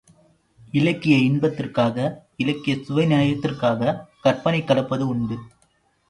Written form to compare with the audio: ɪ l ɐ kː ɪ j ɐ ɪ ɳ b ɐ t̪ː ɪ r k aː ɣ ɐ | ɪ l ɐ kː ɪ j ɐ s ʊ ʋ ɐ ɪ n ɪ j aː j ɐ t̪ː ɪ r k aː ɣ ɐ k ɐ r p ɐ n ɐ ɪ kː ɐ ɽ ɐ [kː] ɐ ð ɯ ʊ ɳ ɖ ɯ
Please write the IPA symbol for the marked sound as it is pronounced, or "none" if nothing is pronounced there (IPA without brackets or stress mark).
pː